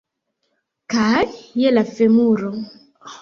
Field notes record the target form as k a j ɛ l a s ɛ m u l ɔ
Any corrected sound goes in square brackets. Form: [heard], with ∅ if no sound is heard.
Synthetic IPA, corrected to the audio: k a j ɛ l a [f] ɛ m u [ɾ] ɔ